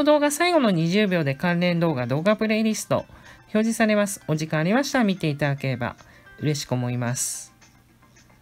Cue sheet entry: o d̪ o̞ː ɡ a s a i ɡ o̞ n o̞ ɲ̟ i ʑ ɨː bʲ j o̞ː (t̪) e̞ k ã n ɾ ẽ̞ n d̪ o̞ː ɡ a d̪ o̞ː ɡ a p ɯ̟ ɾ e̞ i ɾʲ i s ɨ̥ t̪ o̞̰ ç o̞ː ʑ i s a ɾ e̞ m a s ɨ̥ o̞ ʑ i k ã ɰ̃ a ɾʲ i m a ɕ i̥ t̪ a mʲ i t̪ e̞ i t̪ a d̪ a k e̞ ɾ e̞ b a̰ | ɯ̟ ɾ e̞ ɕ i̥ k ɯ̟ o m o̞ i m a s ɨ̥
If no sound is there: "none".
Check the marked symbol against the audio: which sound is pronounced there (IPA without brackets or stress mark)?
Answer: d̪